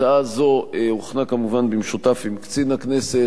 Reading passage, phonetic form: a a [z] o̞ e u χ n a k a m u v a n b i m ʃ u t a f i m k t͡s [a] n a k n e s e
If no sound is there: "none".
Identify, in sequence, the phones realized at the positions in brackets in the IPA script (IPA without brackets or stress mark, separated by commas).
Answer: z, i